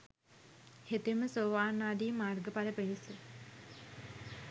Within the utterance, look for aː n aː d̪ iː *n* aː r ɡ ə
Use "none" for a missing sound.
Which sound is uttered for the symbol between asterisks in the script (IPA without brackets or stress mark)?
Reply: m